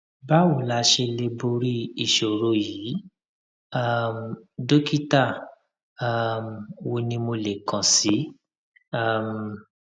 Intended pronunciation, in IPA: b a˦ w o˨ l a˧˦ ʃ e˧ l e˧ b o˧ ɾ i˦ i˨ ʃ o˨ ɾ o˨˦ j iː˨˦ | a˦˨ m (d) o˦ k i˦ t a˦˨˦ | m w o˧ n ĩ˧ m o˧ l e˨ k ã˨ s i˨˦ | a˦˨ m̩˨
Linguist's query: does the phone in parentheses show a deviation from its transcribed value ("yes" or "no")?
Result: no